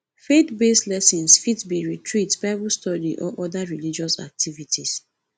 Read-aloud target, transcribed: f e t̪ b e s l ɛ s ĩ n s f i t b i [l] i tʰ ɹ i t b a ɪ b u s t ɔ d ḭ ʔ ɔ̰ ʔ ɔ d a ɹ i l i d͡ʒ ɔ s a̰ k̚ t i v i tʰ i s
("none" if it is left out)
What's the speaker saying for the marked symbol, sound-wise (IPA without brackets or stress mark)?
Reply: ɹ